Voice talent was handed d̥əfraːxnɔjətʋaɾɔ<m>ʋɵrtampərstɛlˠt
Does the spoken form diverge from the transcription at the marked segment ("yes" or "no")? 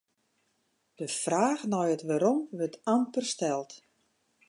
no